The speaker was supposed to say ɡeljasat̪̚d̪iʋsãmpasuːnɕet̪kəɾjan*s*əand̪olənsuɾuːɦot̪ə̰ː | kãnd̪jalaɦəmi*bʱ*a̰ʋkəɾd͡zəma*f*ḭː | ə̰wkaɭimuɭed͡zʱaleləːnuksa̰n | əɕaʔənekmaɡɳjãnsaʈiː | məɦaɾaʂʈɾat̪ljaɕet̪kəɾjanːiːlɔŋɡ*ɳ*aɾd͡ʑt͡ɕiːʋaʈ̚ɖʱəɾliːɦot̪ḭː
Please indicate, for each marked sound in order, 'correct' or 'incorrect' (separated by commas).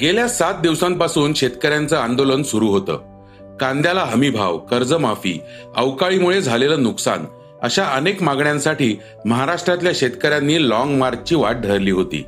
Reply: incorrect, correct, correct, incorrect